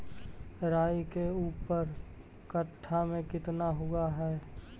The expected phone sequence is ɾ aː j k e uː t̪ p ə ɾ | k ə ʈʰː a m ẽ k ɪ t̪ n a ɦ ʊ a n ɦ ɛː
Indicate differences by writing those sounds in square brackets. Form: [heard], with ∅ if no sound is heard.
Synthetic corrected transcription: ɾ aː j k e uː [∅] p ə ɾ | k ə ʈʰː a m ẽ k ɪ t̪ n a ɦ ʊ a [∅] ɦ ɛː